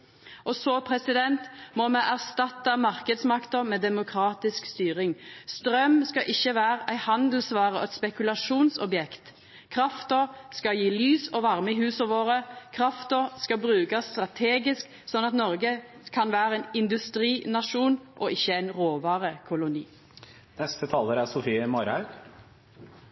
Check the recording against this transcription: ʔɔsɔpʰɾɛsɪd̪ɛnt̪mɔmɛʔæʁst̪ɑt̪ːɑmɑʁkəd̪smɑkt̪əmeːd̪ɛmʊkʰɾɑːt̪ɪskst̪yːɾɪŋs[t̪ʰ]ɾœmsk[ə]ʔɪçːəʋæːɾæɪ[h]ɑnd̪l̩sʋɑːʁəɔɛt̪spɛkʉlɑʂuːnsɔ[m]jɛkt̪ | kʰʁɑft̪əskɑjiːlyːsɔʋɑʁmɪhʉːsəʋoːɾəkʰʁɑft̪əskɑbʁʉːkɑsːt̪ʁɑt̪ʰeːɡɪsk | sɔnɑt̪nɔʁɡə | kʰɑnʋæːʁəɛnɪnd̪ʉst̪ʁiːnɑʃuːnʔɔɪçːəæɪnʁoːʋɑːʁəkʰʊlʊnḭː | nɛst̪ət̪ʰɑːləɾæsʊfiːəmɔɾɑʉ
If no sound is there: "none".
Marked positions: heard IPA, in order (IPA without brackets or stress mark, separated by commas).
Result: t̪, ɑ, h, b